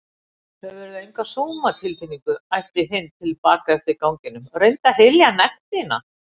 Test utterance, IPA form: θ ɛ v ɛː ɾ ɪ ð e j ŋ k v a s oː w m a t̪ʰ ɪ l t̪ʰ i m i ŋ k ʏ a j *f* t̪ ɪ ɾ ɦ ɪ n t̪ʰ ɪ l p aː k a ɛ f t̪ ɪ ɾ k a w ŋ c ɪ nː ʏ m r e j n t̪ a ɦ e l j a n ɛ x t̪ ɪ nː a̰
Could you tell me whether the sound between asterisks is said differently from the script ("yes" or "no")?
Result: no